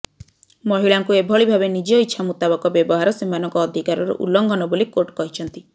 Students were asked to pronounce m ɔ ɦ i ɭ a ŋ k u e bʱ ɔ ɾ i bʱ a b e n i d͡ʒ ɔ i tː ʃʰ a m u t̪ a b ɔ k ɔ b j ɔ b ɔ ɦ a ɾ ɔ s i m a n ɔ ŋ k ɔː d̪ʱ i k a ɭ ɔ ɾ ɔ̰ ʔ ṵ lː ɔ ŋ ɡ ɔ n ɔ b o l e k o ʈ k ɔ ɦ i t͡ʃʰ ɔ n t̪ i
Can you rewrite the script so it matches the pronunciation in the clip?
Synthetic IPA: m ɔ ɦ i ɭ a ŋ k u e bʱ ɔ ɭ i bʱ a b e n i d͡ʒ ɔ i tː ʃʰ a m u t̪ a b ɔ k ɔ b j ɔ b ɔ ɦ a ɾ ɔ s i m a n ɔ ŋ k ɔː d̪ʱ i k a ɾ ɔ ɾ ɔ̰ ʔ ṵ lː ɔ ŋ ɡ ɔ n ɔ b o l i k o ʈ k ɔ ɦ i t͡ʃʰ ɔ n t̪ i